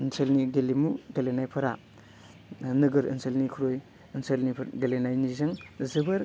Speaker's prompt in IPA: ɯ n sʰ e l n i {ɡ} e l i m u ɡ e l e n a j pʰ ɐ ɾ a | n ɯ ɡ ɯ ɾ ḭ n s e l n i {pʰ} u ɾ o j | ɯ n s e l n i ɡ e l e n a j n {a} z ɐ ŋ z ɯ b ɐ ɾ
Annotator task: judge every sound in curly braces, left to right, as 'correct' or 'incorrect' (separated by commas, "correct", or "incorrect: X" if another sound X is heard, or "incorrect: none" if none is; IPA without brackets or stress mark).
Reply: correct, incorrect: kʰ, incorrect: i